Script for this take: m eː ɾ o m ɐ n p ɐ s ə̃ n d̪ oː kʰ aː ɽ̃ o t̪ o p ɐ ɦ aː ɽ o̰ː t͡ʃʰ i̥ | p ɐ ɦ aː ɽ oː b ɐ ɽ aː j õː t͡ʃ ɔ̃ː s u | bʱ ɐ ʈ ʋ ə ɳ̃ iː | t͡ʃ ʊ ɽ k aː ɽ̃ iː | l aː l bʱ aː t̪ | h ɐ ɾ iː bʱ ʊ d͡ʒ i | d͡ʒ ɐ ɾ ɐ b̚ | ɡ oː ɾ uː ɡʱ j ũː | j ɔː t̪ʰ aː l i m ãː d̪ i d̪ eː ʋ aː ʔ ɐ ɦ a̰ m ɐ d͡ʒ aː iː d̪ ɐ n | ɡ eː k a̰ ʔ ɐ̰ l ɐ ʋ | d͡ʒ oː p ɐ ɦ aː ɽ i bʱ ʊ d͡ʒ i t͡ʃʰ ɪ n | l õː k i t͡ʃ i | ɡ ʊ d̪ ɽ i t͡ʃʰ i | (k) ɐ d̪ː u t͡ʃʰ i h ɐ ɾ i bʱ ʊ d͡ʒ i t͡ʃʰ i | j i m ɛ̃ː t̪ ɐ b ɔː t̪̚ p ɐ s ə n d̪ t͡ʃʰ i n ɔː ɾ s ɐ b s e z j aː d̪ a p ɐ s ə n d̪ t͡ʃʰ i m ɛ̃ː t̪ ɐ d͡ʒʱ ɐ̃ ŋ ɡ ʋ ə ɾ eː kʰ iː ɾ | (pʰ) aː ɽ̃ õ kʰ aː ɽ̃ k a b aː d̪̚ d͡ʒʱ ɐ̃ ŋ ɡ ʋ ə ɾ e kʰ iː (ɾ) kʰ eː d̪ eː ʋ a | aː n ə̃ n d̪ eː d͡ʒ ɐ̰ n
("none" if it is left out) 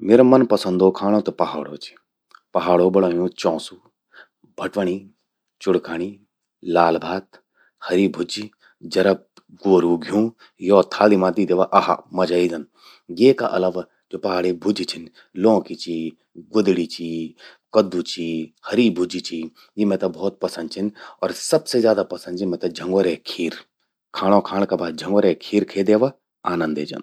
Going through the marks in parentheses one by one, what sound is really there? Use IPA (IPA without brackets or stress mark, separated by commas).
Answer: k, kʰ, ɾ